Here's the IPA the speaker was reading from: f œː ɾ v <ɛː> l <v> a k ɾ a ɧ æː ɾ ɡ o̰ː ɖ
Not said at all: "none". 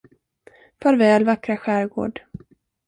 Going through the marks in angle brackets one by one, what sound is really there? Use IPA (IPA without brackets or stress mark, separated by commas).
ɛː, v